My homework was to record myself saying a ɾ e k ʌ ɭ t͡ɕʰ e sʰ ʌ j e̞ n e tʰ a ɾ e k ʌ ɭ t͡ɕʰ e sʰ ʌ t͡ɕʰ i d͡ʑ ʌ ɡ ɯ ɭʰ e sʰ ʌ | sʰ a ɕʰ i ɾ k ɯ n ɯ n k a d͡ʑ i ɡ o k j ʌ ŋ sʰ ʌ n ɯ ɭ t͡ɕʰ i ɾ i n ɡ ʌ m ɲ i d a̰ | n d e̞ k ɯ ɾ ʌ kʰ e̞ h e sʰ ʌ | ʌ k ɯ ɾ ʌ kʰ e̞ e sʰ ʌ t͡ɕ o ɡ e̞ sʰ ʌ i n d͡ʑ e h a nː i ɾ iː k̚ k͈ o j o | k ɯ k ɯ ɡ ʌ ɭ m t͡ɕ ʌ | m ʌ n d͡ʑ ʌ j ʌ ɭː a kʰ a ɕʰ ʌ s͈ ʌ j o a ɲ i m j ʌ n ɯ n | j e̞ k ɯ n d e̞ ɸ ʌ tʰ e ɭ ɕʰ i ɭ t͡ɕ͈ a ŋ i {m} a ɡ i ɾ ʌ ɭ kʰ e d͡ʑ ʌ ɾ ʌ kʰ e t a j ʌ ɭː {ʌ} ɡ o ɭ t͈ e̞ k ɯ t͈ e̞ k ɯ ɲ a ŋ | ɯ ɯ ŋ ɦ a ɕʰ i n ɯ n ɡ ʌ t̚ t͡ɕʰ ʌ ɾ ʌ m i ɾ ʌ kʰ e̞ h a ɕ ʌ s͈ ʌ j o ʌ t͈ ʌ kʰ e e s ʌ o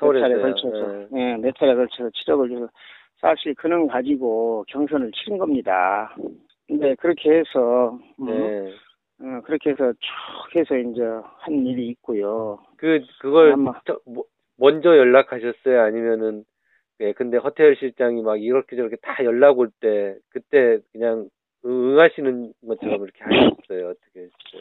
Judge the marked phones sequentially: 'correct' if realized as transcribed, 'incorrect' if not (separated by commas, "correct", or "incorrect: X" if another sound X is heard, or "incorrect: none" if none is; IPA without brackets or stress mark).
correct, incorrect: a